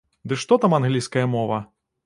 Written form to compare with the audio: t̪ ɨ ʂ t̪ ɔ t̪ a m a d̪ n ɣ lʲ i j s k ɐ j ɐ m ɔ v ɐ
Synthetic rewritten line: d̪ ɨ ʂ t̪ ɔ t̪ a m a n ɣ lʲ i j s k ɐ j ɐ m ɔ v ɐ